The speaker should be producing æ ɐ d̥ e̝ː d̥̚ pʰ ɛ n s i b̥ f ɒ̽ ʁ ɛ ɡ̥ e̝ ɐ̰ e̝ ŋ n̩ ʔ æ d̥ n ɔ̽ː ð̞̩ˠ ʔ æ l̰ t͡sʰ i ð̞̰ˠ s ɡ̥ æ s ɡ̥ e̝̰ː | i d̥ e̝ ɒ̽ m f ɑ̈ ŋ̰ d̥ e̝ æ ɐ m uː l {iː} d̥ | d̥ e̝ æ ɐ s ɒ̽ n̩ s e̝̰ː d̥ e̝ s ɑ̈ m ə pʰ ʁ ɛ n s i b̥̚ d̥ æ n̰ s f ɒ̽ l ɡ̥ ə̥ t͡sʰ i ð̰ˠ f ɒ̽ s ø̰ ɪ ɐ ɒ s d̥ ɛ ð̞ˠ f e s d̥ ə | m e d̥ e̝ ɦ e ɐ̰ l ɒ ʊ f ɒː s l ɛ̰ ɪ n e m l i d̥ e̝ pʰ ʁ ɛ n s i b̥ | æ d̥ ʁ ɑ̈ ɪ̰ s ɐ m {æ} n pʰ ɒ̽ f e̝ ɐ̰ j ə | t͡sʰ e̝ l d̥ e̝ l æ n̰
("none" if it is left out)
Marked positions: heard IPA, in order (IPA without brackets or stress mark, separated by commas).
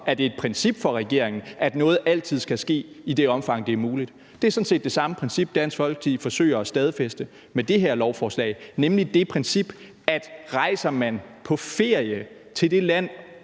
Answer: i, æ